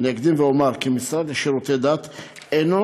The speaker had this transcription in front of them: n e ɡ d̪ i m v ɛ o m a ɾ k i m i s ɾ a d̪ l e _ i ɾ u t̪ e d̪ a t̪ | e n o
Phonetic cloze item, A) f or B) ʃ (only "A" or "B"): B